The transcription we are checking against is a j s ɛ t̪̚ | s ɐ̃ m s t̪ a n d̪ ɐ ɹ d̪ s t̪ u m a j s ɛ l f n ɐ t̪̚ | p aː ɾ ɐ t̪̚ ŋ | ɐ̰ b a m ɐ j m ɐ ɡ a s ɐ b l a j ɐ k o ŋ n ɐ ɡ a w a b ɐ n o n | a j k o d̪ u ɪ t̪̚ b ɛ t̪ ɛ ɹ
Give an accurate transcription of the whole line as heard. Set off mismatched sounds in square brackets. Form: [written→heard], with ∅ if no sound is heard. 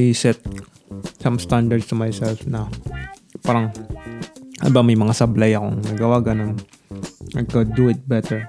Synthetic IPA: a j s ɛ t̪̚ | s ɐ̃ m s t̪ a n d̪ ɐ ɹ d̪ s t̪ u m a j s ɛ l f n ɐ [t̪̚→∅] | p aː ɾ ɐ [t̪̚→∅] ŋ | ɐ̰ b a m ɐ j m ɐ [ɡ→ŋ] a s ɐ b l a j ɐ k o ŋ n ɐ ɡ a w a [b→ɡ] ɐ n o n | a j k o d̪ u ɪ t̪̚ b ɛ t̪ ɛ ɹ